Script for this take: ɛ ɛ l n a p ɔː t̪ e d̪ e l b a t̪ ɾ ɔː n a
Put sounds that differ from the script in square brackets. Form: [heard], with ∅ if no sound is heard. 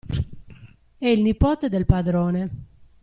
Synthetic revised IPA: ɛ [i] l n [i] p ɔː t̪ e d̪ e l [p] a [d̪] ɾ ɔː n [e]